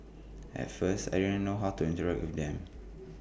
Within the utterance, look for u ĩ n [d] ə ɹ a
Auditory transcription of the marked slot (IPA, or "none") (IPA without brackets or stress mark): t